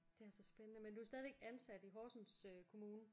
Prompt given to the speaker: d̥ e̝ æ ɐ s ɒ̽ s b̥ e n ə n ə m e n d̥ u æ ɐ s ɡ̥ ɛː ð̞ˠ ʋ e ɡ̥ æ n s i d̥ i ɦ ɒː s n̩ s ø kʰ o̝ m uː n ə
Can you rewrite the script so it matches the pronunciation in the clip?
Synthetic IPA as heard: d̥ e̝ æ ɐ s ɒ̽ s b̥ e n ə n ə m e n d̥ u æ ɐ s d̥ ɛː ð̞ˠ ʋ e ɡ̥ æ n s æ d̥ i ɦ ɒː s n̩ s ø kʰ o̝ m uː n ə